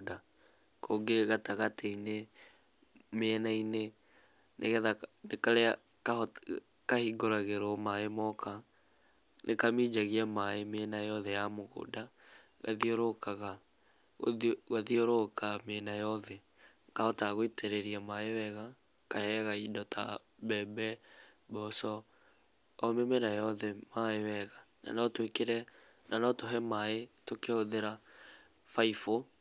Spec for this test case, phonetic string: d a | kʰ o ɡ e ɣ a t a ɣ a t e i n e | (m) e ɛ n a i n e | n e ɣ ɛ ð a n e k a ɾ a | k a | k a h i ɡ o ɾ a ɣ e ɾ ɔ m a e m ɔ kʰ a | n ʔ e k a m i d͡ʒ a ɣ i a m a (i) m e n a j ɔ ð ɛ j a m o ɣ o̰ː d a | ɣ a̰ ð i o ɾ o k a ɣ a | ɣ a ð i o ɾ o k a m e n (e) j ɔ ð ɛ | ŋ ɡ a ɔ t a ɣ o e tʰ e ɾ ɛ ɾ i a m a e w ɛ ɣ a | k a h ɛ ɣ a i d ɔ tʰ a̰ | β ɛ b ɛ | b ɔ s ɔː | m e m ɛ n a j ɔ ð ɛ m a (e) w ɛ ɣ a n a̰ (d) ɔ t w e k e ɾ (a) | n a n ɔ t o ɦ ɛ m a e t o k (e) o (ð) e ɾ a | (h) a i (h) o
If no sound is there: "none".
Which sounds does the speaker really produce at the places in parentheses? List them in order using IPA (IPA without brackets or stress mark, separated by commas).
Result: m, e, a, e, n, ɛ, e, ð, f, f